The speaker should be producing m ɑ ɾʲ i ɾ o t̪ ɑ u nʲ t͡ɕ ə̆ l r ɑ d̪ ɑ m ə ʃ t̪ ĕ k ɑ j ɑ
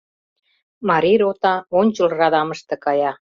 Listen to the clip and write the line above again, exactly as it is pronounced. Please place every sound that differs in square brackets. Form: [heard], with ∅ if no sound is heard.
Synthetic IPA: m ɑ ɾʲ i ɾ o t̪ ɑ [o] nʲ t͡ɕ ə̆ l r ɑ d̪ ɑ m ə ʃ t̪ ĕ k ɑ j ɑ

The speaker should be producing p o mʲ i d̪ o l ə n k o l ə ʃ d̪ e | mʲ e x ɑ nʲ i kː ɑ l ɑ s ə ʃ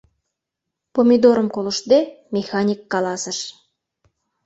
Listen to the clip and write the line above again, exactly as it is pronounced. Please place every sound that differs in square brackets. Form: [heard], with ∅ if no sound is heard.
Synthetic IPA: p o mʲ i d̪ o [ɾ] ə [m] k o l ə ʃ d̪ e | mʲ e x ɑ nʲ i kː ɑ l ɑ s ə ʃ

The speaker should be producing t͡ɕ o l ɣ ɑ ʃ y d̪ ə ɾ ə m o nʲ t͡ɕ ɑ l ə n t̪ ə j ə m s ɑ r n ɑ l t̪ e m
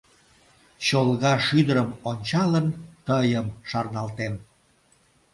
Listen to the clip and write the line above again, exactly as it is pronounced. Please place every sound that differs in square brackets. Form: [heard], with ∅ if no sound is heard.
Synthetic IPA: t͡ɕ o l ɣ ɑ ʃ y d̪ ə ɾ ə m o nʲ t͡ɕ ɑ l ə n t̪ ə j ə m [ʃ] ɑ r n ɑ l t̪ e m

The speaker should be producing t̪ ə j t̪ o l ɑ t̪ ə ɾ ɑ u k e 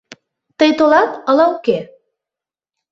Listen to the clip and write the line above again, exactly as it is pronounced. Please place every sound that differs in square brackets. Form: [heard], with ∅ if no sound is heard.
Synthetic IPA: t̪ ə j t̪ o l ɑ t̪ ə [l] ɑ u k e

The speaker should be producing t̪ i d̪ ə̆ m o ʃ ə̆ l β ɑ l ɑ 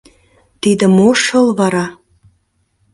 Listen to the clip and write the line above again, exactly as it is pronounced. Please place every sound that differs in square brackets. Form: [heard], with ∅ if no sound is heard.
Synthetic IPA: t̪ i d̪ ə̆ m o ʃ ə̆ l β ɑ [ɾ] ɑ

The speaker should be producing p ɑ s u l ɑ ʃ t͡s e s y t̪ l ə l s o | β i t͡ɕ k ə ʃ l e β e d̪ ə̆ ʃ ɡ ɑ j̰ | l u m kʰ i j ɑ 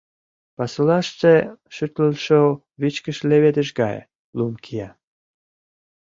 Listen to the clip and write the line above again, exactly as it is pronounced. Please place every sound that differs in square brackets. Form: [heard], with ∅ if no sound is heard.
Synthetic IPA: p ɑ s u l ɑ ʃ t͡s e [ʃ] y t̪ l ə l [ʃ] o | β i t͡ɕ k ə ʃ l e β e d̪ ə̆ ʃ ɡ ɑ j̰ | l u m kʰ i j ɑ

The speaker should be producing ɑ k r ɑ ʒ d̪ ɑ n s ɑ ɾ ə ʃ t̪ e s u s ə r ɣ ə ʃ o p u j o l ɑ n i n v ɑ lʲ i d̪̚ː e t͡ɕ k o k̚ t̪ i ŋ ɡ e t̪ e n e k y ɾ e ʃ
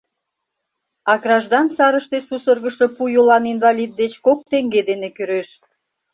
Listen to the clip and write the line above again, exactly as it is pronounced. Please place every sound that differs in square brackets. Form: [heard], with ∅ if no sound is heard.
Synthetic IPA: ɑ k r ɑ ʒ d̪ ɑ n s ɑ ɾ ə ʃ t̪ e s u s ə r ɣ ə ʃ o p u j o l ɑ n i n v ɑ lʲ i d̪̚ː e t͡ɕ k o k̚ t̪ [e] ŋ ɡ e [d̪] e n e k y ɾ e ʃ

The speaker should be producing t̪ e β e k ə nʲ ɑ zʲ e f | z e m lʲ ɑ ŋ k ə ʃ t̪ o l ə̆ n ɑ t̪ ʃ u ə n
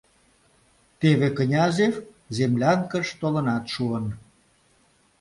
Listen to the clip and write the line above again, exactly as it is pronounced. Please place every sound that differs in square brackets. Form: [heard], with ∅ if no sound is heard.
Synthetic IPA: t̪ e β e k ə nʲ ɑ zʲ e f | z e m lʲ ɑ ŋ k ə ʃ t̪ o l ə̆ n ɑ t̪ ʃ u ə n

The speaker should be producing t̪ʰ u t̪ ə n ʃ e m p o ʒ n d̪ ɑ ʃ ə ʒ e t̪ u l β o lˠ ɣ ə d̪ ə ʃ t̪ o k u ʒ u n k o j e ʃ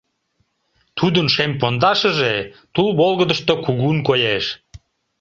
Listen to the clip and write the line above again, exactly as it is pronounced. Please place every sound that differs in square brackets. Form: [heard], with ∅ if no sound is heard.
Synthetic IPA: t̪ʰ u [d̪] ə n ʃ e m p o [∅] n d̪ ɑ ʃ ə ʒ e t̪ u l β o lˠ ɣ ə d̪ ə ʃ t̪ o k u [ɣ] u n k o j e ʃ

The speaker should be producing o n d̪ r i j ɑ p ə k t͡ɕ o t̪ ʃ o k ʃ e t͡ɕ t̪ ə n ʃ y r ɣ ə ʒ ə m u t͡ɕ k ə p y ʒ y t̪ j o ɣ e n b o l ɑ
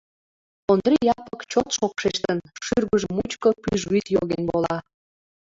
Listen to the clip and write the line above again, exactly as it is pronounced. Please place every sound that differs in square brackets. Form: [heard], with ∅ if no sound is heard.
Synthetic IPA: o n d̪ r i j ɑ p ə k t͡ɕ o t̪ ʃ o k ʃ e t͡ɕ t̪ ə n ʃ y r ɣ ə ʒ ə m u t͡ɕ k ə p y ʒ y t̪ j o ɣ e n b o l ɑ

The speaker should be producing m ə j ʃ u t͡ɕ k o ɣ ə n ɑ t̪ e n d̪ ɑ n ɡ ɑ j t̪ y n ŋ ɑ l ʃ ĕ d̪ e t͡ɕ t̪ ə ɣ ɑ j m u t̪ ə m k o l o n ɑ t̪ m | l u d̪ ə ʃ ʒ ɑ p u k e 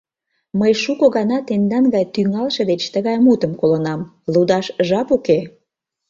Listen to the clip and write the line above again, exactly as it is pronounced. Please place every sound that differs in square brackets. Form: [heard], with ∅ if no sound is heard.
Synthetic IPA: m ə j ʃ u [∅] k o ɣ [ɑ] n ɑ t̪ e n d̪ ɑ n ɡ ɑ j t̪ y [∅] ŋ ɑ l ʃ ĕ d̪ e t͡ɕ t̪ ə ɣ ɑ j m u t̪ ə m k o l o n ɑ [∅] m | l u d̪ [ɑ] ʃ ʒ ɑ p u k e

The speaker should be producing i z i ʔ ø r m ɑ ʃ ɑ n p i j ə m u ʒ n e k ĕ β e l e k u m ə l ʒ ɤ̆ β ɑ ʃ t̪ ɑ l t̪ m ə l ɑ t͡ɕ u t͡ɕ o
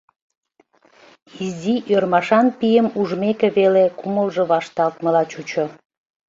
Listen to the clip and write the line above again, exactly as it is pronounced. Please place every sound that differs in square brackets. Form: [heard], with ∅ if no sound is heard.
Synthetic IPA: i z i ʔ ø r m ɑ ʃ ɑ n p i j ə m u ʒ [m] e k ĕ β e l e k u m ə l ʒ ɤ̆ β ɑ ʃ t̪ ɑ l t̪ m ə l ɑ t͡ɕ u t͡ɕ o

